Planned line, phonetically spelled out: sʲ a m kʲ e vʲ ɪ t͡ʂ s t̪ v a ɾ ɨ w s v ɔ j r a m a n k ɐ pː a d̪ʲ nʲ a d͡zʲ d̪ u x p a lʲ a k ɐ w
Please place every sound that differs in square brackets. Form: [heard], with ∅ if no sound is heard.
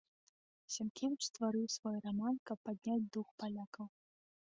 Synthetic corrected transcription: sʲ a m kʲ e vʲ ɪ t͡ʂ s t̪ v a ɾ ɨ w s v ɔ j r a m a n k ɐ pː a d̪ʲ nʲ a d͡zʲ d̪ u x p a lʲ a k ɐ w